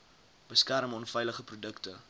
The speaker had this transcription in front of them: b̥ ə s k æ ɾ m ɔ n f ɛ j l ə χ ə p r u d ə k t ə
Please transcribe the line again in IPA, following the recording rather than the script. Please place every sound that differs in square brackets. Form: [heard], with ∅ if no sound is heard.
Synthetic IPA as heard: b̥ ə s k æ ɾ m ɔ n f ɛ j l ə χ ə p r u d ə k t ə